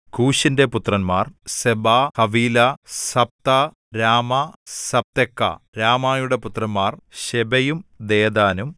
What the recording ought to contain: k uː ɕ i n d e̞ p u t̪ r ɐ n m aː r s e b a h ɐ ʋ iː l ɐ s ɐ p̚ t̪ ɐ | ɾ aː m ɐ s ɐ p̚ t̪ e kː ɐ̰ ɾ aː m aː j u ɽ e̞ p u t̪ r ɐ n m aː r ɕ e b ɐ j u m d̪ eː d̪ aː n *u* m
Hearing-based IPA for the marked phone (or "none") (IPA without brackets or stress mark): u